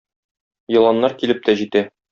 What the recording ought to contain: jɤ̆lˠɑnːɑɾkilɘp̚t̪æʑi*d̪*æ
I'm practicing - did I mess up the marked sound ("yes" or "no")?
yes